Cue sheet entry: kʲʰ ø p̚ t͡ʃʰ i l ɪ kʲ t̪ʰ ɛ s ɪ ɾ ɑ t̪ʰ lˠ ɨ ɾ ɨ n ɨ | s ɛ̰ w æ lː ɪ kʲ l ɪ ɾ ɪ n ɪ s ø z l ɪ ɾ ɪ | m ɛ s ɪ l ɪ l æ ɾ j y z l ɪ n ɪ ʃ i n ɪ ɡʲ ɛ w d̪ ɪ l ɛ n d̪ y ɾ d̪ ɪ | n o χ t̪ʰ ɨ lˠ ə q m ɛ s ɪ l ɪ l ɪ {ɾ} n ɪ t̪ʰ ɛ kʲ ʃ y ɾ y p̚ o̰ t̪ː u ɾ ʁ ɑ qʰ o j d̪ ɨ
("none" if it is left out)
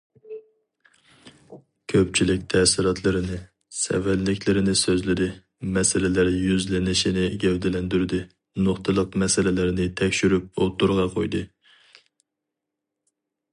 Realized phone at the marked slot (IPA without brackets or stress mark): ɾ